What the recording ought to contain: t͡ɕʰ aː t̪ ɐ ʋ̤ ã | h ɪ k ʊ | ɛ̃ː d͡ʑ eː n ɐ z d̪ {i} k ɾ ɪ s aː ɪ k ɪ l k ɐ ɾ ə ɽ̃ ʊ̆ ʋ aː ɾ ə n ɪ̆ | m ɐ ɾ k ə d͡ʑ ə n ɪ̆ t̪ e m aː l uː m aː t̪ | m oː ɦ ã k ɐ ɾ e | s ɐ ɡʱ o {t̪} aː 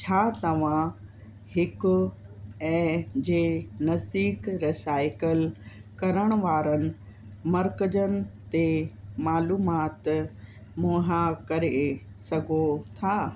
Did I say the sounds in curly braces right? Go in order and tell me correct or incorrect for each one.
incorrect, incorrect

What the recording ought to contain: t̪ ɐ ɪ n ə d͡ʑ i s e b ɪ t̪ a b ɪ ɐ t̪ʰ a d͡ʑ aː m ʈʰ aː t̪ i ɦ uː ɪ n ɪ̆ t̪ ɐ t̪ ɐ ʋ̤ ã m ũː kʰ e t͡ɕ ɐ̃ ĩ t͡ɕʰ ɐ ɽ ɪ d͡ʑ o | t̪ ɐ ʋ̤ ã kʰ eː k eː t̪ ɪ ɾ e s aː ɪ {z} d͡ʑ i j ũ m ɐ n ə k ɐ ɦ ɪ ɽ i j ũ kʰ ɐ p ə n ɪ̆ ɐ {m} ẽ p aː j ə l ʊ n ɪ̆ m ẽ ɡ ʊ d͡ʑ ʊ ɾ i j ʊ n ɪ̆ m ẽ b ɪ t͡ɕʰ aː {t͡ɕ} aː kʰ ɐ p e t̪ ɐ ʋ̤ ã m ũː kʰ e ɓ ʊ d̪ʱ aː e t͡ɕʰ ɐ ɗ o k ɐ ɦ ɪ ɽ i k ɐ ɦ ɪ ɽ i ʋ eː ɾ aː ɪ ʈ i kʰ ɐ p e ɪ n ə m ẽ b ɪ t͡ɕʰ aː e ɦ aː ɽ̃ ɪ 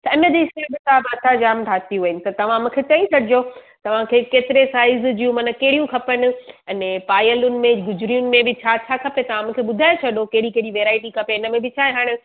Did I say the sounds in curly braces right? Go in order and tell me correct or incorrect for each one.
correct, incorrect, incorrect

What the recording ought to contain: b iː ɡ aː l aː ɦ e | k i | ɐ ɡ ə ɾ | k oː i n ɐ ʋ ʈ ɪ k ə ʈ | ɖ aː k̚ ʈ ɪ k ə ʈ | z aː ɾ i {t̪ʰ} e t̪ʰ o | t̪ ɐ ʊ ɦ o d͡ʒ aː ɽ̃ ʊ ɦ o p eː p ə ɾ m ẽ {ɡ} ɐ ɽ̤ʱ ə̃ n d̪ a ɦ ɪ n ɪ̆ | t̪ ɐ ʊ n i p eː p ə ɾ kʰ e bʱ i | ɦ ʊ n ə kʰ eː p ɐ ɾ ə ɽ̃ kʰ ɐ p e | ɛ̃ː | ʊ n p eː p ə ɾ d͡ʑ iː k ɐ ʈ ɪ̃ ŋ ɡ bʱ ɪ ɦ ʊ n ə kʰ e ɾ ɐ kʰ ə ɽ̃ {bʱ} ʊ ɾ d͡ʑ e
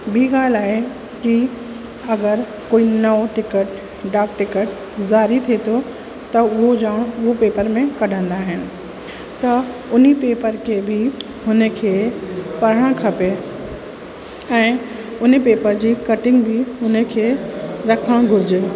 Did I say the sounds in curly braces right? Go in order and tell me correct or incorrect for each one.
correct, incorrect, incorrect

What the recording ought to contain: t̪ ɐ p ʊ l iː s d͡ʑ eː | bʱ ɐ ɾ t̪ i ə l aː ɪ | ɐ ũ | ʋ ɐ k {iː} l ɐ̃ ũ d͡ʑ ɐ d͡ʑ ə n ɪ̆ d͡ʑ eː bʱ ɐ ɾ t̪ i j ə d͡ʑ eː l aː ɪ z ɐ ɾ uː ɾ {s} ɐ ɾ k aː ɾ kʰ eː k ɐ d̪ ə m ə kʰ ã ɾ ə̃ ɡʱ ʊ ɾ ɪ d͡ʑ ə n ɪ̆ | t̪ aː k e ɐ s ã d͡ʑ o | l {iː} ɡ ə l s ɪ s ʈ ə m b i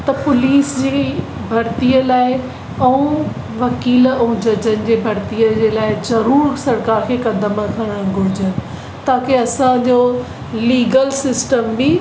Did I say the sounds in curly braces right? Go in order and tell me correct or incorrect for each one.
correct, correct, correct

